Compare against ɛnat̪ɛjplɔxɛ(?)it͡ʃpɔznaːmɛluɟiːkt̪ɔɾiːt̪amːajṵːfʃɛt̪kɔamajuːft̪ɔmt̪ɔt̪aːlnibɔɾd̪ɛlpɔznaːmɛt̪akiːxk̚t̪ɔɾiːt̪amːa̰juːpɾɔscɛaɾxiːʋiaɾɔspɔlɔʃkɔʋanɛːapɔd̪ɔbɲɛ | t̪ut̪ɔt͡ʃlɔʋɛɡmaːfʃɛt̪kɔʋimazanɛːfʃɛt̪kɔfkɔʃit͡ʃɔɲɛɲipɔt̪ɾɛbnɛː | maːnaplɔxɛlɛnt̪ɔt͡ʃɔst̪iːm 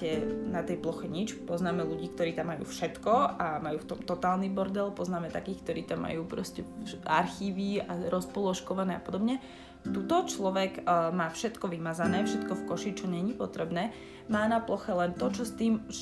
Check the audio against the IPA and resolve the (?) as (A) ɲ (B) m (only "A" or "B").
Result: A